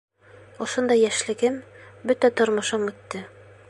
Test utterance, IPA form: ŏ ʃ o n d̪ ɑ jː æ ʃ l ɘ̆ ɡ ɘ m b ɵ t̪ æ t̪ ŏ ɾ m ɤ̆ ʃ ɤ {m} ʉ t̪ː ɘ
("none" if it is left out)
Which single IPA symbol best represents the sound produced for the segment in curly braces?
m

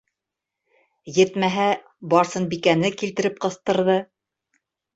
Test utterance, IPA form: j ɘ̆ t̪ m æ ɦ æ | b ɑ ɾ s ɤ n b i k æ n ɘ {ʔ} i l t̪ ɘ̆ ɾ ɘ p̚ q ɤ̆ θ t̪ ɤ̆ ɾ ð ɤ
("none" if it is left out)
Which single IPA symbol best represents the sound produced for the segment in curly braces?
k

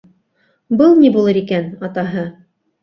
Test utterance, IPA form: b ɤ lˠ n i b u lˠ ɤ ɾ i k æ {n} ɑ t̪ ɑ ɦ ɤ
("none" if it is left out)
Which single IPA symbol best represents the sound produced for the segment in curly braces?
n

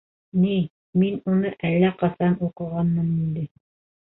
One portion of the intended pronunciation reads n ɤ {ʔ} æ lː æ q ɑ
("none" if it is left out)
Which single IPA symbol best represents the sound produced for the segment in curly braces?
ʔ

